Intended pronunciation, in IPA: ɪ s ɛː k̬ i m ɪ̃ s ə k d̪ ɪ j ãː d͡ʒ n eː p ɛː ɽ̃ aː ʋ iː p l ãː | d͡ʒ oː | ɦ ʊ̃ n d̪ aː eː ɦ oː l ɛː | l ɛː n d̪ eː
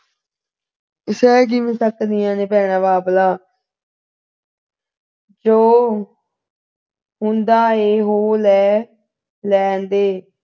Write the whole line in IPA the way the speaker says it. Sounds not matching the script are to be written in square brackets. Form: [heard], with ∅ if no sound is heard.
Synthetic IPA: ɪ s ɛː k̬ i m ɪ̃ s ə k d̪ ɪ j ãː [∅] n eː p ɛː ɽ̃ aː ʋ [aː] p l [aː] | d͡ʒ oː | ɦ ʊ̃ n d̪ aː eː ɦ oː l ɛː | l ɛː n d̪ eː